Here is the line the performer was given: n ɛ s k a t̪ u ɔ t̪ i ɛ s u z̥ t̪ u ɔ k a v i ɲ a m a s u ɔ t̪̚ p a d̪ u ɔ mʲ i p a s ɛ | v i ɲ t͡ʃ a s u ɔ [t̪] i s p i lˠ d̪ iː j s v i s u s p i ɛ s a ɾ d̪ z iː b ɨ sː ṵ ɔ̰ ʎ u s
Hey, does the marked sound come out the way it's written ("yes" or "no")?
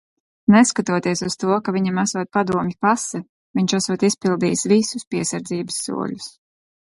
yes